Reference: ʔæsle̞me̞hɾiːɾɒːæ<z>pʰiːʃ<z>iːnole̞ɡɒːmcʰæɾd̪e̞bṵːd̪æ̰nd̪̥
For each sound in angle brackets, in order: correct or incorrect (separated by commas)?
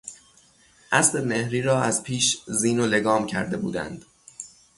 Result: correct, correct